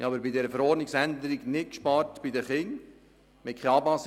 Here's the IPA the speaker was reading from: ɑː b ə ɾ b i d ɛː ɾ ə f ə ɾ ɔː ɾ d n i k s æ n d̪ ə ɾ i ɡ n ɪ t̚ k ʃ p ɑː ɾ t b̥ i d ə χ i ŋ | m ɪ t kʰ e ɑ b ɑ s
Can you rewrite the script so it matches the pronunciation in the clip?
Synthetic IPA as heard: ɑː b ə ɾ b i d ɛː ɾ ə f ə ɾ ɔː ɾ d n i k s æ n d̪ ə ɾ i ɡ n ɪ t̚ k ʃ p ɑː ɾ t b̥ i d ə χ ɪ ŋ | m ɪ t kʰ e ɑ b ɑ s